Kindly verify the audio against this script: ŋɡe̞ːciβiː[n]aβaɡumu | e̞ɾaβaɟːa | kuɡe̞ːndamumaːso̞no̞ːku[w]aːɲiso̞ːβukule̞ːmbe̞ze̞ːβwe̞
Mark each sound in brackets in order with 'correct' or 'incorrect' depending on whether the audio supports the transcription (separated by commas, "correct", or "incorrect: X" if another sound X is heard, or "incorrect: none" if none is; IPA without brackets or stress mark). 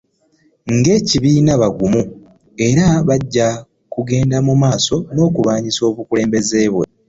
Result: correct, incorrect: β